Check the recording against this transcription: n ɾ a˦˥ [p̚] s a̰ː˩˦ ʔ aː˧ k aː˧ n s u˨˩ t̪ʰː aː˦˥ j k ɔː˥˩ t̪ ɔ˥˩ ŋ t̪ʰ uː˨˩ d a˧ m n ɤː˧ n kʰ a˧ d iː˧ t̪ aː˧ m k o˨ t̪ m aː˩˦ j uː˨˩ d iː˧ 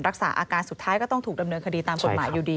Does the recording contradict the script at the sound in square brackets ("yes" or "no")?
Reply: yes